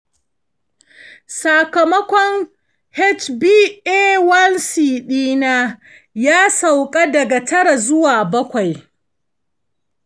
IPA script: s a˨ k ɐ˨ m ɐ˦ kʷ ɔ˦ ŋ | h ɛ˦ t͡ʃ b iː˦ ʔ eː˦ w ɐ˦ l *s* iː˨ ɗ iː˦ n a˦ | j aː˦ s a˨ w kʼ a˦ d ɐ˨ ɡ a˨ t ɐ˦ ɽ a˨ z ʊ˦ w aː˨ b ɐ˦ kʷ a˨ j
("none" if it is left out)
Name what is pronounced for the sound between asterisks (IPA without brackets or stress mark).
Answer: s